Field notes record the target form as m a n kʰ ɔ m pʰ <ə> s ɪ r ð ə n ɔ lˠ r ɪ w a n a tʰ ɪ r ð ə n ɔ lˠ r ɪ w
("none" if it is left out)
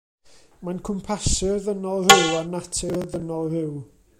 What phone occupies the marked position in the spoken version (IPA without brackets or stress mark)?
a